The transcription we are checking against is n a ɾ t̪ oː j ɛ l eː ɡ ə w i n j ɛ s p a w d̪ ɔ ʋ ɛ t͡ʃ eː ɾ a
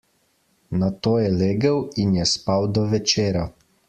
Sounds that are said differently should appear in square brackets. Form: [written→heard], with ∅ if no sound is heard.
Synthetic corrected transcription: n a [ɾ→∅] t̪ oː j ɛ l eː ɡ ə w i n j ɛ s p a w d̪ ɔ ʋ ɛ t͡ʃ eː ɾ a